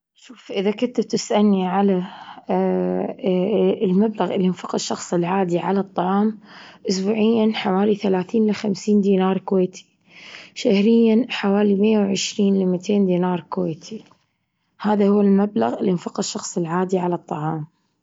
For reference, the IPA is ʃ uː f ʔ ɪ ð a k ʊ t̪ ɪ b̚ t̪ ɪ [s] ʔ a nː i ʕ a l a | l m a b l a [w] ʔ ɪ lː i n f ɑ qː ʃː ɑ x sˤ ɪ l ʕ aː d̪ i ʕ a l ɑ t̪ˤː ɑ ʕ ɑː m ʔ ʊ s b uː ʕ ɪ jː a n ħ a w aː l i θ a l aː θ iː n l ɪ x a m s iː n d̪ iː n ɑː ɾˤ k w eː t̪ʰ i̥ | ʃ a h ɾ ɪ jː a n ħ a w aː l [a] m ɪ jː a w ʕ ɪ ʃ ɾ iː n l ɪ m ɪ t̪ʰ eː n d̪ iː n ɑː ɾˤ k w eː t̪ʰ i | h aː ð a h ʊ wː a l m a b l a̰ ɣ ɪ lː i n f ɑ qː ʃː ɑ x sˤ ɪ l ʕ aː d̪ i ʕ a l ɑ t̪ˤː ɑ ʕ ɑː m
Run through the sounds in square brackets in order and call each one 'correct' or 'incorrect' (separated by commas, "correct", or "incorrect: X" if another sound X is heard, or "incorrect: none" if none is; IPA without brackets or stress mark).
correct, incorrect: ɣ, incorrect: i